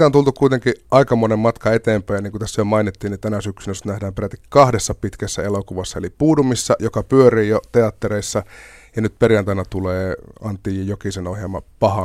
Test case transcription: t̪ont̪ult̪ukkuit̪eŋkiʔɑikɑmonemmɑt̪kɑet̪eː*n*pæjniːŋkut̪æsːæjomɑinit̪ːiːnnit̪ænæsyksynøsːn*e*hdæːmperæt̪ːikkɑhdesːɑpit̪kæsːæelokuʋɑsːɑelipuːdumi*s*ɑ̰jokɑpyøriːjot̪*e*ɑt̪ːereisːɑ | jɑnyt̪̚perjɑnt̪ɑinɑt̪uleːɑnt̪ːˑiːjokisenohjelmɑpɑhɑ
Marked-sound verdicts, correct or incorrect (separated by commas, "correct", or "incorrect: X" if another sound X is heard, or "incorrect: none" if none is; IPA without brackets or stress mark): incorrect: m, incorrect: æ, incorrect: sː, correct